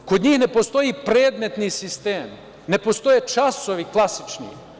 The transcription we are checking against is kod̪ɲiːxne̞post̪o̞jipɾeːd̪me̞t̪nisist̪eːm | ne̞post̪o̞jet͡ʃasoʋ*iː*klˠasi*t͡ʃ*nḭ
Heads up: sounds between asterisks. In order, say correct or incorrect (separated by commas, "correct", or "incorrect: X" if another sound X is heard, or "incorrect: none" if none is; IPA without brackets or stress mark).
incorrect: i, correct